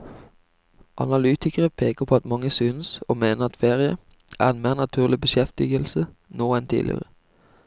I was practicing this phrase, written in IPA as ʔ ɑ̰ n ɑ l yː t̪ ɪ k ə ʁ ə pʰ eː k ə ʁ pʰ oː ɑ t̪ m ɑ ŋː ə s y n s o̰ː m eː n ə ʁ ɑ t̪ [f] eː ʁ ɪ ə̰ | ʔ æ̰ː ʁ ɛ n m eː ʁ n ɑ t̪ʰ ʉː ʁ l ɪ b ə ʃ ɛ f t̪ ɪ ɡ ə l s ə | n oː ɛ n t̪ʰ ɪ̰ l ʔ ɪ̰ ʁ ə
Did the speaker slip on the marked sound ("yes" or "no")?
no